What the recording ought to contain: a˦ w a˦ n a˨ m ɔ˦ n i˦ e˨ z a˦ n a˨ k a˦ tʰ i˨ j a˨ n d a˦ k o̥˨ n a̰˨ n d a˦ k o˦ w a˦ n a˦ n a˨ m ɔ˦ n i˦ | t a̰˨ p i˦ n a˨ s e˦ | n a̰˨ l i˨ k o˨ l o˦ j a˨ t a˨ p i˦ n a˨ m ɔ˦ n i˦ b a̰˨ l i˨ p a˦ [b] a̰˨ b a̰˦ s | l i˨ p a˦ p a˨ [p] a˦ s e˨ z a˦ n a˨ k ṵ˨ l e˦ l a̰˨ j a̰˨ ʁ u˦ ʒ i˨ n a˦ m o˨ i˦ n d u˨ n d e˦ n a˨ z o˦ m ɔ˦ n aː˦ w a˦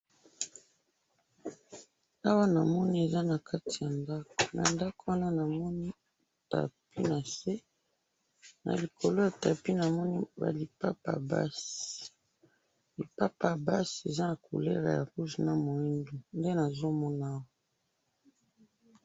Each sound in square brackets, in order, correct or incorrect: incorrect, incorrect

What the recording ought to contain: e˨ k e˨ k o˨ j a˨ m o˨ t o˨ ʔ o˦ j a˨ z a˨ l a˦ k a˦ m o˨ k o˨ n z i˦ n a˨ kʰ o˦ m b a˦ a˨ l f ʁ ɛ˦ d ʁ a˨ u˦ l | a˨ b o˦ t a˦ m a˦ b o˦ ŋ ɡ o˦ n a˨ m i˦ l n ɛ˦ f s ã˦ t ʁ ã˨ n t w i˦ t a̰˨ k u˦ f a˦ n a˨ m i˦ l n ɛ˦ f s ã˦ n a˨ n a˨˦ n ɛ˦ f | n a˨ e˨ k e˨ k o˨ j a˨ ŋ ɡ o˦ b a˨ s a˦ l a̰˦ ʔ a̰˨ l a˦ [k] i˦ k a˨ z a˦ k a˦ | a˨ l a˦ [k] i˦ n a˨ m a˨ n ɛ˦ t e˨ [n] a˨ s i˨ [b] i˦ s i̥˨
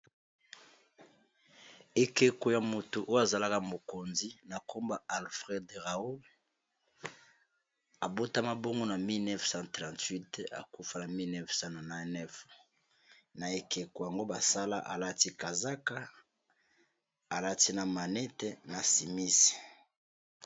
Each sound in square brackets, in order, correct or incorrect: incorrect, incorrect, correct, incorrect

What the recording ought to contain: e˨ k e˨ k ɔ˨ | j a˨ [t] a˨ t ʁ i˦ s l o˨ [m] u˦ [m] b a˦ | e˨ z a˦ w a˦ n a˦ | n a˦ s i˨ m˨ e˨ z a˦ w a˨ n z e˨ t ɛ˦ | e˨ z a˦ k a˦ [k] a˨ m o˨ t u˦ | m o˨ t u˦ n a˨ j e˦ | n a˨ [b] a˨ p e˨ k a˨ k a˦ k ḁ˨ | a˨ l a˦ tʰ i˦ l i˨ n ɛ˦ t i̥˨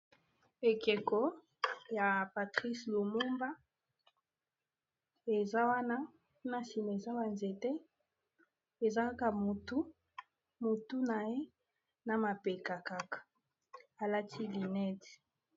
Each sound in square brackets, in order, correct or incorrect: incorrect, correct, correct, correct, incorrect

